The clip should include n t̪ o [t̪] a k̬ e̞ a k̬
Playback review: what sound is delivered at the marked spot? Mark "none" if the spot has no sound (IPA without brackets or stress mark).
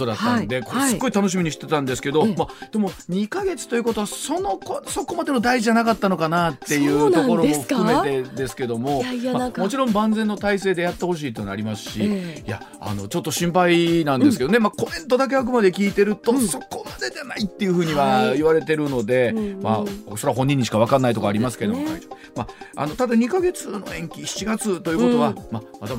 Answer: d̪